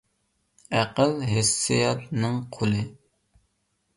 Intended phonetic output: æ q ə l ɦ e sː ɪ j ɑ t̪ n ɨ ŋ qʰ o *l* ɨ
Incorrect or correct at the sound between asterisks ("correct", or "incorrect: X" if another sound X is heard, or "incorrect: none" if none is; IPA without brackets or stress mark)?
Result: correct